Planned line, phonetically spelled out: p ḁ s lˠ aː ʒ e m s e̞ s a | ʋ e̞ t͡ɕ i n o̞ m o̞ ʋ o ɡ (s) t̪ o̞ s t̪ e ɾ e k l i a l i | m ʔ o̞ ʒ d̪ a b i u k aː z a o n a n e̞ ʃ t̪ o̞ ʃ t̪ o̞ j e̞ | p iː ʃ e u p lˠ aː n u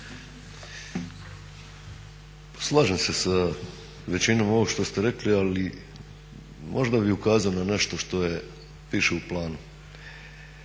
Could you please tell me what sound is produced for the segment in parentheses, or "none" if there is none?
ʃ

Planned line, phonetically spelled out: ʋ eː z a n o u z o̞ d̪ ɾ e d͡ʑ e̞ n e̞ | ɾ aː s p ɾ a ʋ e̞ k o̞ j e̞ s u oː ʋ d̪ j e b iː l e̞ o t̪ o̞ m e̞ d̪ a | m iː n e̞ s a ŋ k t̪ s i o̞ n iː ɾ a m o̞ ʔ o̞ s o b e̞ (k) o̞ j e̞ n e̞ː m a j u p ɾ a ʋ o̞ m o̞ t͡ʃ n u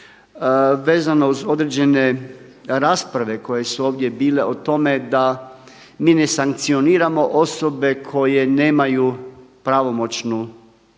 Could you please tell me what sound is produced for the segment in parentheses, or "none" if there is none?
kʰ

